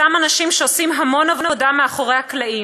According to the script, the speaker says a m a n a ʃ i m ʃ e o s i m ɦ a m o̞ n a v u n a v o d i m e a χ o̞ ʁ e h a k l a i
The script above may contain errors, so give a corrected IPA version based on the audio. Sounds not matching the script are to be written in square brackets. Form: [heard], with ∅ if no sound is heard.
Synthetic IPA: a m a n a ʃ i m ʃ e o s i m ɦ a m o̞ n a v [o] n a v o d [a] m e a χ o̞ ʁ e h a k l a i